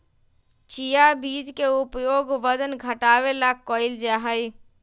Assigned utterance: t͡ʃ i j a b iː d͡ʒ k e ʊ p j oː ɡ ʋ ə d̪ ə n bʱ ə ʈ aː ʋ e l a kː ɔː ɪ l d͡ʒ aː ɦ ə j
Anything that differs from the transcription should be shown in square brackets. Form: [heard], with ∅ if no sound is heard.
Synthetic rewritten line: t͡ʃ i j a b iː d͡ʒ k e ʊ p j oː ɡ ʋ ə d̪ ə n [ɡʱ] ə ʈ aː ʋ e l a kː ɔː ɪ l d͡ʒ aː ɦ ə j